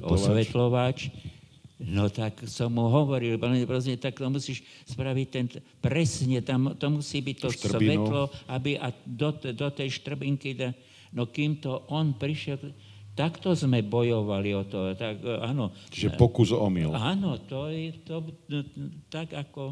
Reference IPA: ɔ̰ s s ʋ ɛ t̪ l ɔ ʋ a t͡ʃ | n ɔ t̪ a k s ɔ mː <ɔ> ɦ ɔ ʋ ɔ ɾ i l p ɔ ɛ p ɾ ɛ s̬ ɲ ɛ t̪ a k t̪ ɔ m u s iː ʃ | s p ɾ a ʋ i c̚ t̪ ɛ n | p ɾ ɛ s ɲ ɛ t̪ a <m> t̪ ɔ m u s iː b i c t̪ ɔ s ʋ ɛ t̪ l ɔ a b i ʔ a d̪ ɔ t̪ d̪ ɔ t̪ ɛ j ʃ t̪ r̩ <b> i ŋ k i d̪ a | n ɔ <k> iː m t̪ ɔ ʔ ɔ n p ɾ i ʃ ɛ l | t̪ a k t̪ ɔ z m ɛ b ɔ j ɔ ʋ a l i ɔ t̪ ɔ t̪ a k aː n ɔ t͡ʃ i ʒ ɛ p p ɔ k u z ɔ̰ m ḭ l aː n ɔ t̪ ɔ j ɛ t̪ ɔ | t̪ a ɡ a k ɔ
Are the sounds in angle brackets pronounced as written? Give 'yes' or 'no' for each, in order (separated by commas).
no, yes, yes, yes